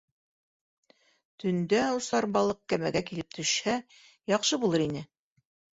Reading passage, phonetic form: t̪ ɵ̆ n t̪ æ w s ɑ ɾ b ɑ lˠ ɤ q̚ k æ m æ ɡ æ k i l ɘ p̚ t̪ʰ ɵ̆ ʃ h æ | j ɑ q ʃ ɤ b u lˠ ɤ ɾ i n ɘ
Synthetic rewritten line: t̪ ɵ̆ n d̪ æ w s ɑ ɾ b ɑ lˠ ɤ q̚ k æ m æ ɡ æ k i l ɘ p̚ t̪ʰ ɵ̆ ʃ h æ | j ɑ q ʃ ɤ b u lˠ ɤ ɾ i n ɘ